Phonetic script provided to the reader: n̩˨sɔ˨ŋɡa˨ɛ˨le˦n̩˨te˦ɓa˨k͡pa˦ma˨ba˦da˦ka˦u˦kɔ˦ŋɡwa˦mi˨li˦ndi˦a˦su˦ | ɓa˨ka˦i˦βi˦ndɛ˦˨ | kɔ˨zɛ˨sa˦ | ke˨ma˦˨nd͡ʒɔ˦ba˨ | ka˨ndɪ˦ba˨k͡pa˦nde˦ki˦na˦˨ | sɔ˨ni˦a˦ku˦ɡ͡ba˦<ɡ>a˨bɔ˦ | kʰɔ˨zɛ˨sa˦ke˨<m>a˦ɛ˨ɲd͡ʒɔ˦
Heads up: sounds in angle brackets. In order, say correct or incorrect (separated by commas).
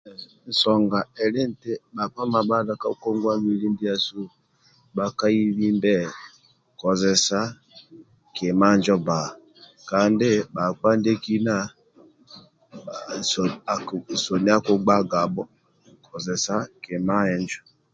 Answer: correct, correct